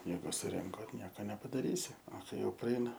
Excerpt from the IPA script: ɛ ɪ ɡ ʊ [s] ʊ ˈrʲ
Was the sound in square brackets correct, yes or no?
yes